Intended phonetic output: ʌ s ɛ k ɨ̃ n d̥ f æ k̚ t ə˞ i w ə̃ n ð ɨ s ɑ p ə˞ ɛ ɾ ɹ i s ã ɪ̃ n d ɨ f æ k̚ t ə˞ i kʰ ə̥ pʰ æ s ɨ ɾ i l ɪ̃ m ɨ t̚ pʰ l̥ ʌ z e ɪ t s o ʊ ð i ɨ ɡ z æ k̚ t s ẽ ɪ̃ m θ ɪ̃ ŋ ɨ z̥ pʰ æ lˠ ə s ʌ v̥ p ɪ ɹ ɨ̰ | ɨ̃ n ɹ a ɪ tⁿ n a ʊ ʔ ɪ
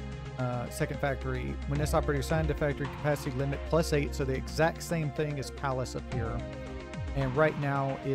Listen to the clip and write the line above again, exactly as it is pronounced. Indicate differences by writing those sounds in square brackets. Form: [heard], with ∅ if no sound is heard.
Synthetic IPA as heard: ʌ s ɛ k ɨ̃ n d̥ f æ k̚ t ə˞ i w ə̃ n ð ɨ s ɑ p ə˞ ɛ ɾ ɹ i s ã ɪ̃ n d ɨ f æ k̚ t ə˞ i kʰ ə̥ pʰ æ s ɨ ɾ i l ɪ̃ m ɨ t̚ pʰ l̥ ʌ [s] e ɪ t s o ʊ ð i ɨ ɡ z æ k̚ t s ẽ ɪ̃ m θ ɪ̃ ŋ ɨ z̥ pʰ æ lˠ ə s ʌ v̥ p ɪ ɹ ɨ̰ | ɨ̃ n ɹ a ɪ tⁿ n a ʊ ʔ ɪ